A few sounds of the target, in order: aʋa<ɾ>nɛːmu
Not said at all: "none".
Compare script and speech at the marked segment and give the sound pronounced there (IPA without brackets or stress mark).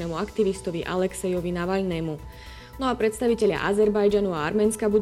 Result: ʎ